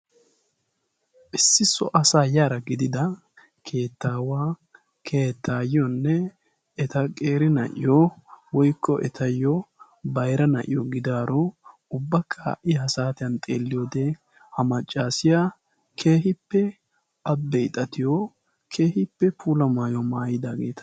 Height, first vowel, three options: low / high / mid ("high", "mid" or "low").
high